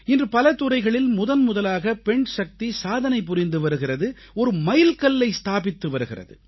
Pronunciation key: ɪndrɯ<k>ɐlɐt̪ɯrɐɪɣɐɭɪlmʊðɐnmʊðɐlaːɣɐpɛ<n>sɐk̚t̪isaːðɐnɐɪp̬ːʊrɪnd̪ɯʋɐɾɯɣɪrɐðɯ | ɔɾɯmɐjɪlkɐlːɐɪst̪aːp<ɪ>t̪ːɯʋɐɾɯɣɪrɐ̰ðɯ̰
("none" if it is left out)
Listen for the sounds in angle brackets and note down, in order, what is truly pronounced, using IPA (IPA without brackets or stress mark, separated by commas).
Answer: p, ɳ, ɪ